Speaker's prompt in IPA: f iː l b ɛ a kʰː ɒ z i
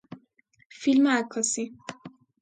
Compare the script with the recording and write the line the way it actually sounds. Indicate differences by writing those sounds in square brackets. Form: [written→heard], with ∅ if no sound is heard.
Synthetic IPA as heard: f [iː→i] l [b→m] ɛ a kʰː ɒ [z→s] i